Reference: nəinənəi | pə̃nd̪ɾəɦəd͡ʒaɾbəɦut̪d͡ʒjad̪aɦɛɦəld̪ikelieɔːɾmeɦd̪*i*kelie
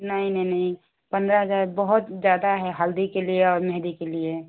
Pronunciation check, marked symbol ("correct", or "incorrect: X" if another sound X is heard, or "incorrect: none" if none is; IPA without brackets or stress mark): correct